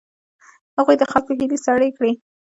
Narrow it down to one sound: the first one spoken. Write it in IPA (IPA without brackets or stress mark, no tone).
h